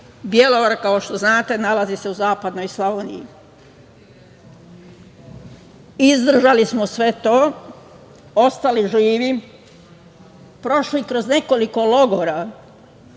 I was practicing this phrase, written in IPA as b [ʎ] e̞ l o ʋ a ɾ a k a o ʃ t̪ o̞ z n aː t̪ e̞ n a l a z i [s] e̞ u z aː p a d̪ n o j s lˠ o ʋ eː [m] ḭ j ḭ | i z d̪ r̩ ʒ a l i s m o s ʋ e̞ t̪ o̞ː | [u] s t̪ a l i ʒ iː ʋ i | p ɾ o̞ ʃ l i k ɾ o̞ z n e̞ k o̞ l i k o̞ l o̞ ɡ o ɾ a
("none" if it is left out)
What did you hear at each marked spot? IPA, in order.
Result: j, s, n, o

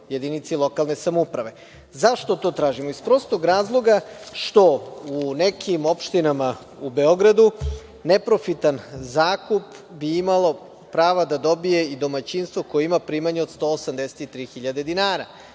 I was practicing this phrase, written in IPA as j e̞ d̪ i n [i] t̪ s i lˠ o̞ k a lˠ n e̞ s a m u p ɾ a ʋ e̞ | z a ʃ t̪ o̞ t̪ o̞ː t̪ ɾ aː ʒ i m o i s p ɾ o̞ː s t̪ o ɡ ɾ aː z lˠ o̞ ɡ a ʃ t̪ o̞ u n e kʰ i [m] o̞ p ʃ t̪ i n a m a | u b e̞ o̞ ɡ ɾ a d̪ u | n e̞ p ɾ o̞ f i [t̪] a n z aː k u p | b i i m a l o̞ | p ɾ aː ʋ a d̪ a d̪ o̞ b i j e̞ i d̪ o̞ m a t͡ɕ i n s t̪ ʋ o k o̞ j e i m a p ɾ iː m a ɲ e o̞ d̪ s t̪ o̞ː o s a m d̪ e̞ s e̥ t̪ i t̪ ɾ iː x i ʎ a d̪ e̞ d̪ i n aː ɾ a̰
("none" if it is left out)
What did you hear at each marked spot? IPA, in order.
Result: i, m, t̪

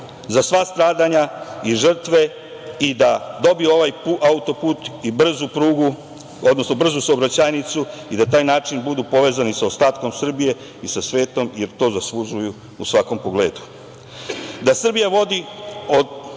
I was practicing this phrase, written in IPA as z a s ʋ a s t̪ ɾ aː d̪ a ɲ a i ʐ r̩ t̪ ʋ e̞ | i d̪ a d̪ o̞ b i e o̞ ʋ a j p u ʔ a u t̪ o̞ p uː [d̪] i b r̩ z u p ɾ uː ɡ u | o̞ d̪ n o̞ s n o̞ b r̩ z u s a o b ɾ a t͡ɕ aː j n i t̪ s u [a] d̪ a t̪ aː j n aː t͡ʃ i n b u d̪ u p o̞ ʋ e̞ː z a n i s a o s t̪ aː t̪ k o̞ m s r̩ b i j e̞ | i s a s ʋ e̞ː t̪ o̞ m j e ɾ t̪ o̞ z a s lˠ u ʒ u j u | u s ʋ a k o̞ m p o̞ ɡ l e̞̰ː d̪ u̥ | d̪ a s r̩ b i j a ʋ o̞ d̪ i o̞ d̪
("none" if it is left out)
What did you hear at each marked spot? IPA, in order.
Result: t̪, i

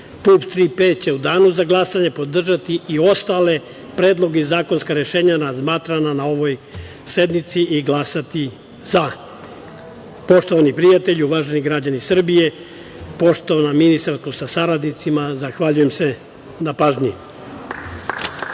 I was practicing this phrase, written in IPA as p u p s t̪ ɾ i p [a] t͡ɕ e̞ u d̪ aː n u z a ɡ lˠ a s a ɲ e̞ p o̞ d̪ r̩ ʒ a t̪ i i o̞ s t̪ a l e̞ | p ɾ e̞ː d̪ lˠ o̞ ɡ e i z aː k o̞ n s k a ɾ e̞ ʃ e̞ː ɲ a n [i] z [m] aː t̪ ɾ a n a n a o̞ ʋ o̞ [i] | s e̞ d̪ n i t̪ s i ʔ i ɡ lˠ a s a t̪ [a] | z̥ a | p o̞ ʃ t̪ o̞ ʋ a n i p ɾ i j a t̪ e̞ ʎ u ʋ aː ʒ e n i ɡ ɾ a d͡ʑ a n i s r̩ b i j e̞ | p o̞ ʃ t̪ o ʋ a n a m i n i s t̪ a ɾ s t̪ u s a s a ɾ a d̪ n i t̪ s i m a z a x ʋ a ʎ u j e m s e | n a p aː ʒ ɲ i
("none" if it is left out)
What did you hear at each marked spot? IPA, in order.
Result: e, a, m, j, i

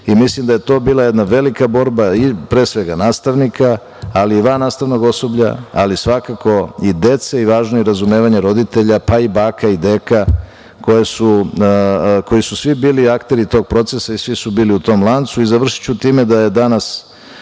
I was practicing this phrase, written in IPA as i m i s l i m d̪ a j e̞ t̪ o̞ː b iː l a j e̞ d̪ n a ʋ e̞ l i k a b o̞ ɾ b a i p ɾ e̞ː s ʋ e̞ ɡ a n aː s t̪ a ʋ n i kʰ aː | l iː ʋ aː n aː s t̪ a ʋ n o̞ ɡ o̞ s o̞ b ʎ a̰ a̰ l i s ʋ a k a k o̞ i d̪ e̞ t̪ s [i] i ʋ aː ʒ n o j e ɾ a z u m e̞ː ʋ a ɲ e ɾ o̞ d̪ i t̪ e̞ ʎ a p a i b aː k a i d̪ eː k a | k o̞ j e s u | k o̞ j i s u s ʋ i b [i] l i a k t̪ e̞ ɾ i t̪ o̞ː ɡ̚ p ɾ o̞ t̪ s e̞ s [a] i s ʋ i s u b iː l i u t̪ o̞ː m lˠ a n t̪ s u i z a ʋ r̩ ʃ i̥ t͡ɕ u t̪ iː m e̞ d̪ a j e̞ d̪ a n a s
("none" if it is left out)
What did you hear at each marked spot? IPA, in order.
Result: e, iː, a

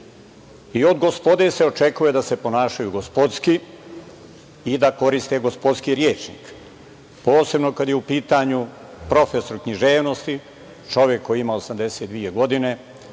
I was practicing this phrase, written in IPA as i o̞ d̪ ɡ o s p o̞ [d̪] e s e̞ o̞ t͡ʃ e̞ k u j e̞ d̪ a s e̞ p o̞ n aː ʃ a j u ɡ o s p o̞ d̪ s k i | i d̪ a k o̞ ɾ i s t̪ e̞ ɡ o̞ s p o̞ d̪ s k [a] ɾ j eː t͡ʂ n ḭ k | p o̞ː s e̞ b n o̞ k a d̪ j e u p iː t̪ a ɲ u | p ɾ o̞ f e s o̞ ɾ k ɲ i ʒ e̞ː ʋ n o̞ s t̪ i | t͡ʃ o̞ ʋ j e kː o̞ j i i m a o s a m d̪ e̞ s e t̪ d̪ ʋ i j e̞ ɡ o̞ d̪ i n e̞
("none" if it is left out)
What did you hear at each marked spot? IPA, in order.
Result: d̪, i

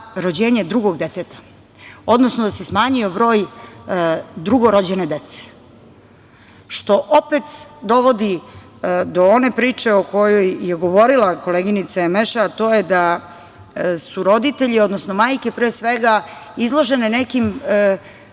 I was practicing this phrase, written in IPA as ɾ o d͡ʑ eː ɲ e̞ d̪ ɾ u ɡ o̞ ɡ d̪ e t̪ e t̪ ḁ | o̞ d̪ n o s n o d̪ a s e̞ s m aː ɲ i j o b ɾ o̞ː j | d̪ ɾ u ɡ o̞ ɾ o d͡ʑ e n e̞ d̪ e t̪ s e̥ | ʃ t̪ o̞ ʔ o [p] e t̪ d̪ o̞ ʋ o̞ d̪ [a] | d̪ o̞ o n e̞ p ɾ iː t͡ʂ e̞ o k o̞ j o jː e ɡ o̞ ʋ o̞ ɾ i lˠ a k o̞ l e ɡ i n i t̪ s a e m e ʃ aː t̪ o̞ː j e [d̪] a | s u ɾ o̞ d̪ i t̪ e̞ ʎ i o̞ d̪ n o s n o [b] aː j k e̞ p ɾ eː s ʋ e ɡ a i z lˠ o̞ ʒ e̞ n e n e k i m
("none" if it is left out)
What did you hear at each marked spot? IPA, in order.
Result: p, i, d̪, m

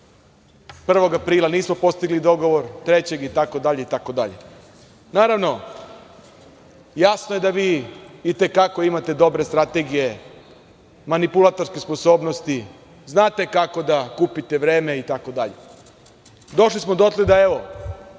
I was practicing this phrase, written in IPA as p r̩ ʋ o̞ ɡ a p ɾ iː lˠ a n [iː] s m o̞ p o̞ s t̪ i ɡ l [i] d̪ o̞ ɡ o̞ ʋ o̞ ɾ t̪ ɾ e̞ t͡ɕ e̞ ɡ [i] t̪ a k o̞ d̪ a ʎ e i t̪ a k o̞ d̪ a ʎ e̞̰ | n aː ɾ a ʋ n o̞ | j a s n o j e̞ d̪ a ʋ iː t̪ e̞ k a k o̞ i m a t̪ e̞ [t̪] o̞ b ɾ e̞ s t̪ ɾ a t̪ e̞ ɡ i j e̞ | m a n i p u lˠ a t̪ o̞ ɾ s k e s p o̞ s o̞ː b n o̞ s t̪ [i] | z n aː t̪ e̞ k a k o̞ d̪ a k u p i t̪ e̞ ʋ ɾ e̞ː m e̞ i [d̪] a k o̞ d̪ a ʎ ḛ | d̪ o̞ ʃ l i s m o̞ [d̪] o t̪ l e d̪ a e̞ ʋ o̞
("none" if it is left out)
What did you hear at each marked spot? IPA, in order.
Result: iː, i, i, d̪, i, t̪, d̪

